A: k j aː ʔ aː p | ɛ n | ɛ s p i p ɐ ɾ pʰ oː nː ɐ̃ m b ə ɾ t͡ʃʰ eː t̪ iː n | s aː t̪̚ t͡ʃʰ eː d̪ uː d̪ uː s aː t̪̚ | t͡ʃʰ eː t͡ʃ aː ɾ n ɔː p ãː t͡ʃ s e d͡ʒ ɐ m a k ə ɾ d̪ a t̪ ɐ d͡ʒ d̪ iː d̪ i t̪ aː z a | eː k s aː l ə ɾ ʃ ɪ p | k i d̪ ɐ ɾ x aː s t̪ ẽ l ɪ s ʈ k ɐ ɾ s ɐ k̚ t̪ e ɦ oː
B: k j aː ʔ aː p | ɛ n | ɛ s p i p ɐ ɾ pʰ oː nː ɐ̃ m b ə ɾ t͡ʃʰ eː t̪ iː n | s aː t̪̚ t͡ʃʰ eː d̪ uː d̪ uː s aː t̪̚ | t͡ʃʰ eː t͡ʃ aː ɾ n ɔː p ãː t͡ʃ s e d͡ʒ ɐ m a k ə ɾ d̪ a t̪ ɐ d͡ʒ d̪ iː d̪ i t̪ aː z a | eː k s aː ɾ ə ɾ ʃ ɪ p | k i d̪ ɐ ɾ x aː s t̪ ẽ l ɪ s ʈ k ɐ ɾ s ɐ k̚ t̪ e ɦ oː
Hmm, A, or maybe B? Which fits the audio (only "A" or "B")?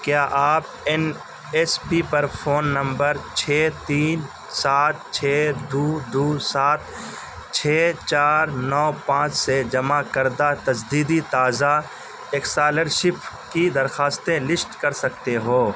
A